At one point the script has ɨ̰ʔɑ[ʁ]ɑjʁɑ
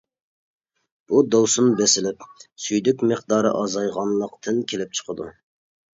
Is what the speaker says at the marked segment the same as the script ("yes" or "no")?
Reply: no